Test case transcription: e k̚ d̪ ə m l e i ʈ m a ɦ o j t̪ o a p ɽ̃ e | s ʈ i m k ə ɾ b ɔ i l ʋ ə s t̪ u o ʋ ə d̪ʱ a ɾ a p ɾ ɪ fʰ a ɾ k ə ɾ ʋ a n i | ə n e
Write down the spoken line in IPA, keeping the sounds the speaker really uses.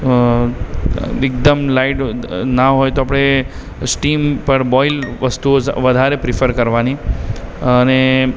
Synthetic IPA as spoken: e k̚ d̪ ə m l a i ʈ n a ɦ o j t̪ o a p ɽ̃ e | s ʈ i m p ə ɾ b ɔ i l ʋ ə s t̪ u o ʋ ə d̪ʱ a ɾ e p ɾ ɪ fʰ ə ɾ k ə ɾ ʋ a n i | ə n e